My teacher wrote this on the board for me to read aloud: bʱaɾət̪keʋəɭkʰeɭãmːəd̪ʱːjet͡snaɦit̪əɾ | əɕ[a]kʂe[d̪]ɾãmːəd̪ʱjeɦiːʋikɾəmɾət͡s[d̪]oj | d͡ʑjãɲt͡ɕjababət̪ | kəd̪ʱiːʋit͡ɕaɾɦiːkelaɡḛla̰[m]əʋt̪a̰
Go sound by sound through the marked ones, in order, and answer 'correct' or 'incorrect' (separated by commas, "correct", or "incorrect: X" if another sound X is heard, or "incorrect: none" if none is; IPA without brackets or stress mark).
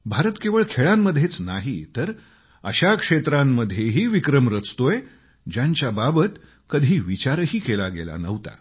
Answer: correct, incorrect: t̪, incorrect: t̪, incorrect: n